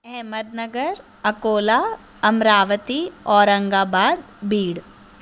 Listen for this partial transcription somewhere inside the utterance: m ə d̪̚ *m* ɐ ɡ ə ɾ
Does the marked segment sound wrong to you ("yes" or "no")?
yes